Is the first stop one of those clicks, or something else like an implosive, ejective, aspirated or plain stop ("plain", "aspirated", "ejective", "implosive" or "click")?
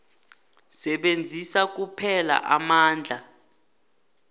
implosive